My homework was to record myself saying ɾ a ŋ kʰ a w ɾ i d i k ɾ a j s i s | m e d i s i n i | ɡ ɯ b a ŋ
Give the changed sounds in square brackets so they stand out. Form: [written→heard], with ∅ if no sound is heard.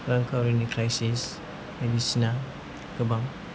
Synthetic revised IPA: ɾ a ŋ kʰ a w ɾ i [d→n] i k ɾ a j s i s | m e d i s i n [i→a] | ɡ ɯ b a ŋ